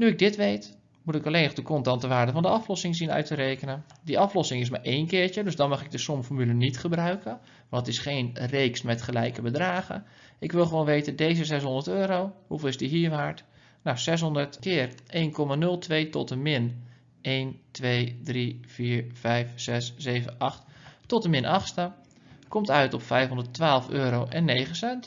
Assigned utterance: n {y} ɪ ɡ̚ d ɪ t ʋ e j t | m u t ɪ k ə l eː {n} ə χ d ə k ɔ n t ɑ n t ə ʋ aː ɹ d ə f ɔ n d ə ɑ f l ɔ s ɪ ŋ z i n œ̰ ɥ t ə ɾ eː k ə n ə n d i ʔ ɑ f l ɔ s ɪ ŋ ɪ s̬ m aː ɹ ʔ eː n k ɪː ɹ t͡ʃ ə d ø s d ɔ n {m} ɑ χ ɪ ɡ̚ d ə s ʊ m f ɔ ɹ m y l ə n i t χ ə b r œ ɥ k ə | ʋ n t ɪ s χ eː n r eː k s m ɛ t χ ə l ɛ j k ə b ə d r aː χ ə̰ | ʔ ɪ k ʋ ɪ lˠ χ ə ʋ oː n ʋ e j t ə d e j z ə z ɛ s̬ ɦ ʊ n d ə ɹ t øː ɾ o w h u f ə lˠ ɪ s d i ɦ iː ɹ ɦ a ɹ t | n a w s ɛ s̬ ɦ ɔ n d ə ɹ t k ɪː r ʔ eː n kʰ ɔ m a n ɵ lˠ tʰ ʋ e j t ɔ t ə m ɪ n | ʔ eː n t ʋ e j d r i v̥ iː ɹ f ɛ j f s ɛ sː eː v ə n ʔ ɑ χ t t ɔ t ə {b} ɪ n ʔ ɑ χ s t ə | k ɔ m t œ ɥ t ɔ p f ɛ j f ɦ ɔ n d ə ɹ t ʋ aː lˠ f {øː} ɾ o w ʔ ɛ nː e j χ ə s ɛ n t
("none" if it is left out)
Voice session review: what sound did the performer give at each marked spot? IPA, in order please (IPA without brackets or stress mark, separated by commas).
y, n, m, m, øː